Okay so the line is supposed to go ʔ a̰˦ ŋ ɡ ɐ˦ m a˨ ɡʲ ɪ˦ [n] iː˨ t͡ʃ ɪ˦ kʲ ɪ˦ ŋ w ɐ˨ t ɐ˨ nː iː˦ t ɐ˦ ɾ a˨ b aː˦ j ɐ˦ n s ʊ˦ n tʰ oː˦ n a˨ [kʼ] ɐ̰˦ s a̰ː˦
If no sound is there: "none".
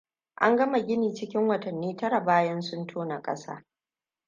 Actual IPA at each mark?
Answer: n, kʼ

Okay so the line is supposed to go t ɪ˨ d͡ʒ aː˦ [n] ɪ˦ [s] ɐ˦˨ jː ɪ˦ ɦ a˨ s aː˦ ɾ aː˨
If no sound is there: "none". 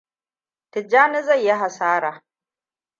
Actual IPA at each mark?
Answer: n, z

